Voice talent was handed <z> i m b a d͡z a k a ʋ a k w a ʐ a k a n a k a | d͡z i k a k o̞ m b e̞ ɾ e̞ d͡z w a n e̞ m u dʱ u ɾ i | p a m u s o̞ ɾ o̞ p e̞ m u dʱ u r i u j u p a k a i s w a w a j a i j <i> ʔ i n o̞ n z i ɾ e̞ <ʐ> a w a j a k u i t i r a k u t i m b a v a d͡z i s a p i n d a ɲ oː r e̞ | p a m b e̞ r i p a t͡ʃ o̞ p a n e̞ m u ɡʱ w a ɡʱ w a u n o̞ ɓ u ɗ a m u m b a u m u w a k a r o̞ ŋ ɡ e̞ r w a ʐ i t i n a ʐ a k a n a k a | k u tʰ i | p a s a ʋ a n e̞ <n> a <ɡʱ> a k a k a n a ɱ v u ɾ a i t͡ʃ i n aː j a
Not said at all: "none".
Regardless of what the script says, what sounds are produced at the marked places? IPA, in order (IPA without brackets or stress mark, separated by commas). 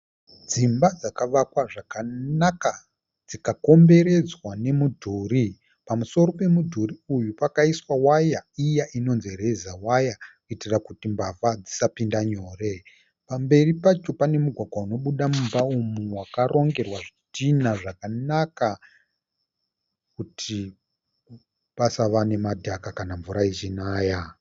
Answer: d͡z, a, z, m, dʱ